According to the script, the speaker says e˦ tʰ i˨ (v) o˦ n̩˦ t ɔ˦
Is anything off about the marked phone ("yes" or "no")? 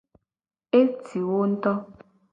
yes